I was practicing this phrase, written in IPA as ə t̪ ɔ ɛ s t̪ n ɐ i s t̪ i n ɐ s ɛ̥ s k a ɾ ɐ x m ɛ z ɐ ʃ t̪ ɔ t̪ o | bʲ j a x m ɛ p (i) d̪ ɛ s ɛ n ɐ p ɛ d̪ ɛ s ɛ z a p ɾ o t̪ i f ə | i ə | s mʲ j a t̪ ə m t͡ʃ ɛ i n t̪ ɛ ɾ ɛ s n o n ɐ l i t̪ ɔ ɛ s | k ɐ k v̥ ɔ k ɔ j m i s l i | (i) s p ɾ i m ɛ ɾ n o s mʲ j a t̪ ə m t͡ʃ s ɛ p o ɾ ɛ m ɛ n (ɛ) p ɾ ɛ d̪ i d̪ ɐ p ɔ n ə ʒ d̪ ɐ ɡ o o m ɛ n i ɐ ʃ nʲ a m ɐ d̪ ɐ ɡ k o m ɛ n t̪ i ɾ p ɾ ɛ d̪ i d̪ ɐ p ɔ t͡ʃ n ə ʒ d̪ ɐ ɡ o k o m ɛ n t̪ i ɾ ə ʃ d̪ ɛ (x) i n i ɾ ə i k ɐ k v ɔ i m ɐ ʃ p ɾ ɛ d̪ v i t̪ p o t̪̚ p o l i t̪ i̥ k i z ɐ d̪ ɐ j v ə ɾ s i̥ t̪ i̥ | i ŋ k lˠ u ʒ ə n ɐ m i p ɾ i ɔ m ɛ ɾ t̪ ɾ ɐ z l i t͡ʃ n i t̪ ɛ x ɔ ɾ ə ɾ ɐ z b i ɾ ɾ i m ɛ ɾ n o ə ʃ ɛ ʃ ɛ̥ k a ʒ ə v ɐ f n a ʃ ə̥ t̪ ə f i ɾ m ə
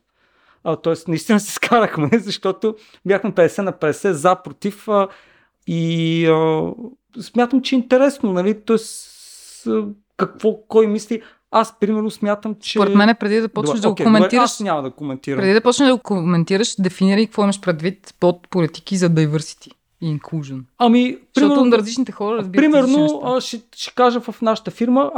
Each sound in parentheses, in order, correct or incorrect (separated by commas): incorrect, incorrect, correct, incorrect